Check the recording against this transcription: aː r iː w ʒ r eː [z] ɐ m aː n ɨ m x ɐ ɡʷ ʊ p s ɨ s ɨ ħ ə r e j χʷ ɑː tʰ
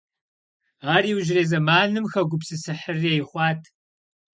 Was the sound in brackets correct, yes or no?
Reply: yes